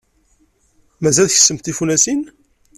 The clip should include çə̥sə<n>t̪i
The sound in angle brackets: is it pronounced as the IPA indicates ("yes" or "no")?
no